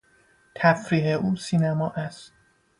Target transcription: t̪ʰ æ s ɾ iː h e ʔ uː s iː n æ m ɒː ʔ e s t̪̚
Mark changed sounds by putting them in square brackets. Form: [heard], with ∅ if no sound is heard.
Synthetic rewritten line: t̪ʰ æ [f] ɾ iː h e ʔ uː s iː n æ m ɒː ʔ [æ] s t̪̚